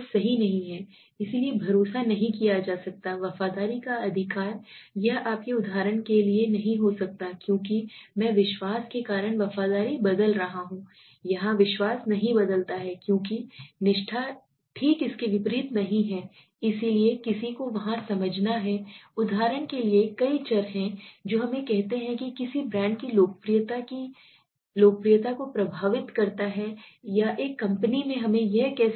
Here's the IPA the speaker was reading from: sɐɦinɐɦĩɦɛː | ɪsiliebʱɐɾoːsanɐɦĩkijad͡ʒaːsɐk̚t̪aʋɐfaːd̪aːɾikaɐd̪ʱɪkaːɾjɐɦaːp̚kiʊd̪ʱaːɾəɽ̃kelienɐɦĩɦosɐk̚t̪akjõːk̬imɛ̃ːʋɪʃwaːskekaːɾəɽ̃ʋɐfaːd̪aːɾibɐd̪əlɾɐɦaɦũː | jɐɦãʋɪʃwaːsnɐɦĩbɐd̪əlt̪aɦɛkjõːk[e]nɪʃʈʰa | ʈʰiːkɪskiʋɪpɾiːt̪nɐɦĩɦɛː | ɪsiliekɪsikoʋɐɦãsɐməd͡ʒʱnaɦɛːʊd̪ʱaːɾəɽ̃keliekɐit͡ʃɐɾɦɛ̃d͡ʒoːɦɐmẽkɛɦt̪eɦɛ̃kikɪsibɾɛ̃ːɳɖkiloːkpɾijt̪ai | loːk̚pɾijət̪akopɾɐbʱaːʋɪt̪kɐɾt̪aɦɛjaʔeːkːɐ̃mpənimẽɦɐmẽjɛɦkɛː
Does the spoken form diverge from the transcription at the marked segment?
yes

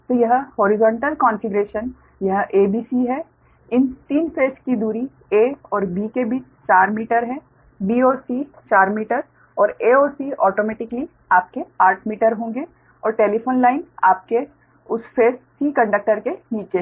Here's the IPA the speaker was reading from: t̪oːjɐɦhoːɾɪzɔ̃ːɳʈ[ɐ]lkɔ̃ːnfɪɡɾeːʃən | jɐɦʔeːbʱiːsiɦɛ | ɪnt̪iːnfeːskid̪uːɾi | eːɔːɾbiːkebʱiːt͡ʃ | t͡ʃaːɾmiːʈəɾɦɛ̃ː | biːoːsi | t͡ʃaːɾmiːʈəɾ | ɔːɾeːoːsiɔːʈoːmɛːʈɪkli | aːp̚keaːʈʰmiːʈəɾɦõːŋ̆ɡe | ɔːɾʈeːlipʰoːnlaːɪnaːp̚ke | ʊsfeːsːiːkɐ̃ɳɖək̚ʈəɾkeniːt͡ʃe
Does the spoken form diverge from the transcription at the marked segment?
yes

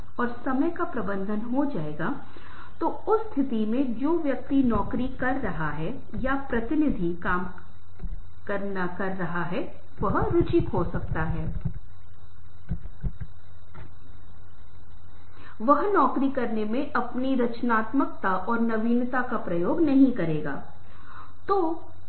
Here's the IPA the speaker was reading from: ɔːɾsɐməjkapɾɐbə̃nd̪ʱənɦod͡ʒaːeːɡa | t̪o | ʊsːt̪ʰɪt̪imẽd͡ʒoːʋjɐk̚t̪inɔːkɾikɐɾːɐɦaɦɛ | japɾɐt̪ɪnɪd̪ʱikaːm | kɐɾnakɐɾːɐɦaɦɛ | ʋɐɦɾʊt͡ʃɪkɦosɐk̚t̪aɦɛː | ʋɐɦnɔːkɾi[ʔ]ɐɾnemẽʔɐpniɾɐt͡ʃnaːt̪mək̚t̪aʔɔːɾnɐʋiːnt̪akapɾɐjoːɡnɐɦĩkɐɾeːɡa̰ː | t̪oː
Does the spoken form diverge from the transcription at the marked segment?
yes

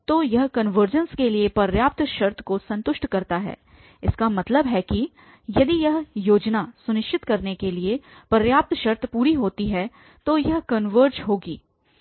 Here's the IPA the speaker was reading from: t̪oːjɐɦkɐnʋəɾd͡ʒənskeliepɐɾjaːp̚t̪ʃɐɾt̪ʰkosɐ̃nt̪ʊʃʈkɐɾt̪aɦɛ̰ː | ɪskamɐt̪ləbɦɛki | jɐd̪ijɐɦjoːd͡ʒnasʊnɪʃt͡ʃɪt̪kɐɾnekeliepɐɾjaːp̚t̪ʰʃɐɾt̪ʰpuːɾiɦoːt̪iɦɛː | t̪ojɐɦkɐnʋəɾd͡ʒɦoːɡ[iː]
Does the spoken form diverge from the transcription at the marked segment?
no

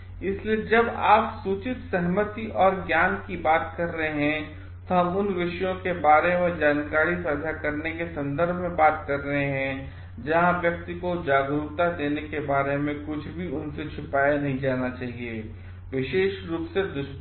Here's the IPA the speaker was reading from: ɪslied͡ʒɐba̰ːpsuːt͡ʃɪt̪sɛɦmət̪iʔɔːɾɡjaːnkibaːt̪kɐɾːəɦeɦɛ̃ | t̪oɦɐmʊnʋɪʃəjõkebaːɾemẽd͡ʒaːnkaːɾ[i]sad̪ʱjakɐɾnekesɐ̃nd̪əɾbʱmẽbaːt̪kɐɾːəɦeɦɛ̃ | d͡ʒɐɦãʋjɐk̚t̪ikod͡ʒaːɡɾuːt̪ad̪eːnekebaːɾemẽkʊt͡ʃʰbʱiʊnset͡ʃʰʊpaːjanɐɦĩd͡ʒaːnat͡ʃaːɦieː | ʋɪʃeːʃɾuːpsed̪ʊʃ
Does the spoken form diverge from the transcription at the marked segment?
no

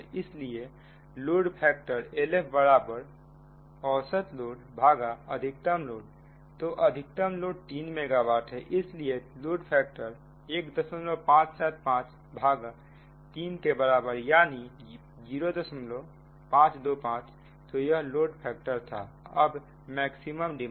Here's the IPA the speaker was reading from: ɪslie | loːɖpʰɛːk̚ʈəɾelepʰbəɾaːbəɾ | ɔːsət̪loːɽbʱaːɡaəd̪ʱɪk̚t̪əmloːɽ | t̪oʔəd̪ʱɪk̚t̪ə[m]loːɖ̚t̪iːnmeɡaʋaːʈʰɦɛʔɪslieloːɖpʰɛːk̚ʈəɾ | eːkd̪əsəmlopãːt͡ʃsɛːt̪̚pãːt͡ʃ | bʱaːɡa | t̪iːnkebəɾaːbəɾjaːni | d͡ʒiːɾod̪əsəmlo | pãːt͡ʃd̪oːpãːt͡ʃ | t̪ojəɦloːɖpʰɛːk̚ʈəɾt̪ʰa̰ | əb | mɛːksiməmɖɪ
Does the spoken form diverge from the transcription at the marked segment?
no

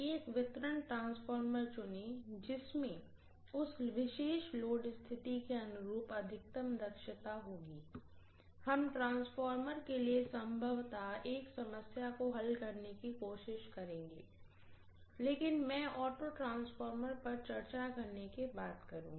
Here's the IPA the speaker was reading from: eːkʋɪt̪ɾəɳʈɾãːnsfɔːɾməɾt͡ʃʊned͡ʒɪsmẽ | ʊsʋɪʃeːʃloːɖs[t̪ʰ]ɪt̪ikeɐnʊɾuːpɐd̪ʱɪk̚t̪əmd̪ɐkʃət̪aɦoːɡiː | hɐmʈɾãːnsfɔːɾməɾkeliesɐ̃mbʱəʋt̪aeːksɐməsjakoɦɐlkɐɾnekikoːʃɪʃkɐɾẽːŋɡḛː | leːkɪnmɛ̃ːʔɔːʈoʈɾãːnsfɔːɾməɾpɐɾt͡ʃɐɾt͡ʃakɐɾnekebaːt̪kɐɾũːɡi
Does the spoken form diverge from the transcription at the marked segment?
no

